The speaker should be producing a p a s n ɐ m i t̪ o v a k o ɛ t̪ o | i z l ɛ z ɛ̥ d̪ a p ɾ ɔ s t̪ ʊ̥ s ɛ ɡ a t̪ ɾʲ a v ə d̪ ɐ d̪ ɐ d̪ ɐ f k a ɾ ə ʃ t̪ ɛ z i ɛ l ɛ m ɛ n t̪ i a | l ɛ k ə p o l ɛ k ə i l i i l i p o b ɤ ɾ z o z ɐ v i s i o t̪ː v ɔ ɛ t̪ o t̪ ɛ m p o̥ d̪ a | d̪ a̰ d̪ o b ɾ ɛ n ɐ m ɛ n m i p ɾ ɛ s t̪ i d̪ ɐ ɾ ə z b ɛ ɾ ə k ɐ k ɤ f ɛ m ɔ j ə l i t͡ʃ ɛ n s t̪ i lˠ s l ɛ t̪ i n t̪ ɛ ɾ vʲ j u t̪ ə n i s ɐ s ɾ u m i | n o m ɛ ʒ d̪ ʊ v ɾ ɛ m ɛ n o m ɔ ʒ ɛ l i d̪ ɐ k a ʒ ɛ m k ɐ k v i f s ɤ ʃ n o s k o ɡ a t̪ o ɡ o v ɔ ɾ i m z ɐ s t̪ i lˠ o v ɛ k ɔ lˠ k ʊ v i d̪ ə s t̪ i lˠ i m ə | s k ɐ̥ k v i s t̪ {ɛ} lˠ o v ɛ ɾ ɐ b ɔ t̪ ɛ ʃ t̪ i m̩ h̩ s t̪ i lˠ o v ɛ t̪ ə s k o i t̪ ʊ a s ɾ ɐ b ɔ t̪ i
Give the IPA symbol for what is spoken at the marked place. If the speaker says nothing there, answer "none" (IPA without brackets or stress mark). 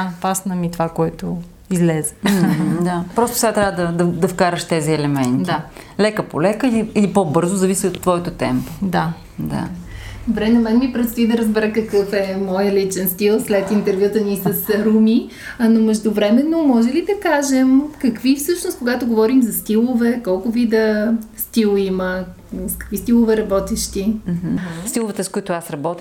i